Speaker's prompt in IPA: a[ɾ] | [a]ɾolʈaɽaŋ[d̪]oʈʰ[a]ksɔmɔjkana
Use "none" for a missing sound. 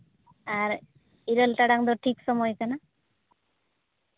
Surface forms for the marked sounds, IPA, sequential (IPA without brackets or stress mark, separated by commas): ɾ, i, d̪, i